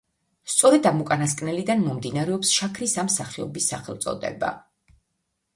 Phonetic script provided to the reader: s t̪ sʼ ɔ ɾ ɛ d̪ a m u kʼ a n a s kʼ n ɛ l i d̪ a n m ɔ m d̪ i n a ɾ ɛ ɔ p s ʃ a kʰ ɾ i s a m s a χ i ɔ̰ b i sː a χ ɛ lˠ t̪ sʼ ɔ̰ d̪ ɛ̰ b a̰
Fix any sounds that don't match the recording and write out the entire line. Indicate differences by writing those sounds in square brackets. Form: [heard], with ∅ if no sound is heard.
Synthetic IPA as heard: s t̪ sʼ ɔ ɾ ɛ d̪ a m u kʼ a n a s kʼ n ɛ l i d̪ a n m ɔ m d̪ i n a ɾ ɛ ɔ p s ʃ a kʰ ɾ i s a m s a χ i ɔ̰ b i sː a χ ɛ lˠ t̪ sʼ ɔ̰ d̪ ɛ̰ b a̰